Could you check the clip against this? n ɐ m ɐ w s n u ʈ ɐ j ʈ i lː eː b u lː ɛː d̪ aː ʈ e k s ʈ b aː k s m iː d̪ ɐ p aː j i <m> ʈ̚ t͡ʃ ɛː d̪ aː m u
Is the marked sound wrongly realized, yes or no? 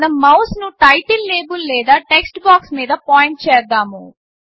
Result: yes